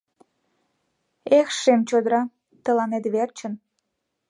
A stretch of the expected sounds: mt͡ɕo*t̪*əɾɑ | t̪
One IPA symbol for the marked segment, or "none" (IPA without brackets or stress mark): d̪